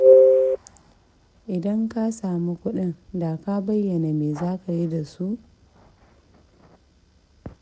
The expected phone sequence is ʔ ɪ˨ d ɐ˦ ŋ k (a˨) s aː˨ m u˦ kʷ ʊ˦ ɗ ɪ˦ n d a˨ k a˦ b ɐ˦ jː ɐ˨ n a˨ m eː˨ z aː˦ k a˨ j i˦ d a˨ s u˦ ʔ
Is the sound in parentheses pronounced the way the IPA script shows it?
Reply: no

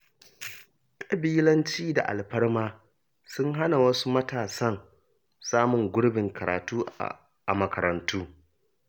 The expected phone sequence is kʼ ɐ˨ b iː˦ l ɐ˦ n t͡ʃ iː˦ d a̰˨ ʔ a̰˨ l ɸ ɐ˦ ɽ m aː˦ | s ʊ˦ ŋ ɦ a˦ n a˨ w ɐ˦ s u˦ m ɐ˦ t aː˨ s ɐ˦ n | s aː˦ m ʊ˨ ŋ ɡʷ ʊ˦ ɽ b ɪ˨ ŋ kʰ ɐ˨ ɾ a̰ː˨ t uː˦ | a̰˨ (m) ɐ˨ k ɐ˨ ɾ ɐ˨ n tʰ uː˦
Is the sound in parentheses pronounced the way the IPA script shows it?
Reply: yes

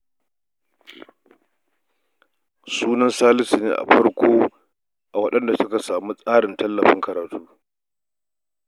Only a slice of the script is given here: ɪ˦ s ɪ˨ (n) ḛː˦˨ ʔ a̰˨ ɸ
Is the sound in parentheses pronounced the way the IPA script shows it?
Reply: yes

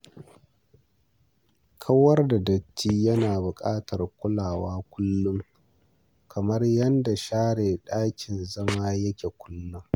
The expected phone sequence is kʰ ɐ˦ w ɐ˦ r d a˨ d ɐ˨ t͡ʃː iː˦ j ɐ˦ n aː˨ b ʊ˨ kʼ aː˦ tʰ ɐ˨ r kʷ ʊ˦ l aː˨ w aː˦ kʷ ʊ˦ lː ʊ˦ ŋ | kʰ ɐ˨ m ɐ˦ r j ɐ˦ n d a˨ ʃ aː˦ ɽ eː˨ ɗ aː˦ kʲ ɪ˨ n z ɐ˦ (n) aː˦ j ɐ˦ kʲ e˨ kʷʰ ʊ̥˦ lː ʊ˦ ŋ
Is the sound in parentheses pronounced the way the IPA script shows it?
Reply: no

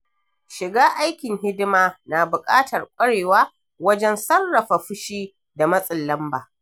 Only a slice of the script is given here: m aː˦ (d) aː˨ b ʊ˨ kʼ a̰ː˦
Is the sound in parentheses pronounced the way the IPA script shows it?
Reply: no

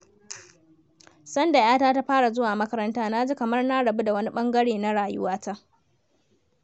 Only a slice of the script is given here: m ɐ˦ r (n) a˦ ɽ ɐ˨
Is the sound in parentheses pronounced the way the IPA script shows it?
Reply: yes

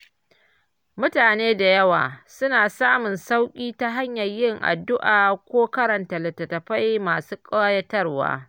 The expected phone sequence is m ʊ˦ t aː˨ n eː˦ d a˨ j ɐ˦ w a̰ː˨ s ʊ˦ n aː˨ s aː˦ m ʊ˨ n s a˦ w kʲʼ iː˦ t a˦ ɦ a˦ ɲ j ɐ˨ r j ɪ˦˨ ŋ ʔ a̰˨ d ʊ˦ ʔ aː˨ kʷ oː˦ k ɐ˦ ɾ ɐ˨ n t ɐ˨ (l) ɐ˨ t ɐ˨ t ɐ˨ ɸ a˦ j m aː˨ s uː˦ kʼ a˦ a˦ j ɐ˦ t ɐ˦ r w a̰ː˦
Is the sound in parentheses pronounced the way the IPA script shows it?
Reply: yes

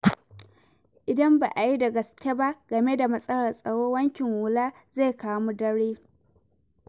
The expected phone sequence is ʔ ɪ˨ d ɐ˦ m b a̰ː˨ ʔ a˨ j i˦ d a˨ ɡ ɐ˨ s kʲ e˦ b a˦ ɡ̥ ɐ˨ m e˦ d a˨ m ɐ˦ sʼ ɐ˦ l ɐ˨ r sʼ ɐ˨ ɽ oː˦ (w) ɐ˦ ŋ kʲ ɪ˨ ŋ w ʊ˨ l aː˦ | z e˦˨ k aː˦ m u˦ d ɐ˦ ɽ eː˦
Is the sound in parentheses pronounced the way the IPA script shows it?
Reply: yes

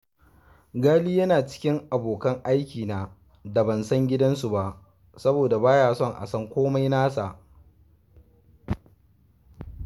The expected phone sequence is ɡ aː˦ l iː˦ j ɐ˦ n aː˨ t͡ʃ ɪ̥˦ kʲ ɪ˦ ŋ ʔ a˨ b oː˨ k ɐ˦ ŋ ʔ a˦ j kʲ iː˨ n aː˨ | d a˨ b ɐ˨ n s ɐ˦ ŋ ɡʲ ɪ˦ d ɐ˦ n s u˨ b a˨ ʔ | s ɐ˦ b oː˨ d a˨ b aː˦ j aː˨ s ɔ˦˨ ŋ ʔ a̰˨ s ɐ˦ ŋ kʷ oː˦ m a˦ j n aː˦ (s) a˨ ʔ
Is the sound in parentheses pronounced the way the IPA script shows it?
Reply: yes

